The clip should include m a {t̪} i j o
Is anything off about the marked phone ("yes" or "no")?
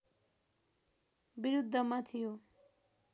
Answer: yes